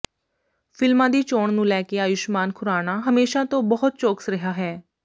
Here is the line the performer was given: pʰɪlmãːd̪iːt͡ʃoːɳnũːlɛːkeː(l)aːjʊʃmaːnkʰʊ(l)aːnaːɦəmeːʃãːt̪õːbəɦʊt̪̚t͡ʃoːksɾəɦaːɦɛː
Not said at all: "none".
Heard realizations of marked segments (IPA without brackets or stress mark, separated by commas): none, ɾ